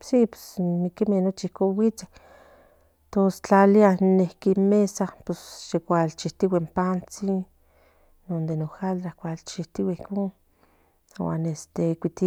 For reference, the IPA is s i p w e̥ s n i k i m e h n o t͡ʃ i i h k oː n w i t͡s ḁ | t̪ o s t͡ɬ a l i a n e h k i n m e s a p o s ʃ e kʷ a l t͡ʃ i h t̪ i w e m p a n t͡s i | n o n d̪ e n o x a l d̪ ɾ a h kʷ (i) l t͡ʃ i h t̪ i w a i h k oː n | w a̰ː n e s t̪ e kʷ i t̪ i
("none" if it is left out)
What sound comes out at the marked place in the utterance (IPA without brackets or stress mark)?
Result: a